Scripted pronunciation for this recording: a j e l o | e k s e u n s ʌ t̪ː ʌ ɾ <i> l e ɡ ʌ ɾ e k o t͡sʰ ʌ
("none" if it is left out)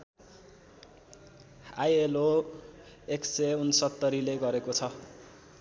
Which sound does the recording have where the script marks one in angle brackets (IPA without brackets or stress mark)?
i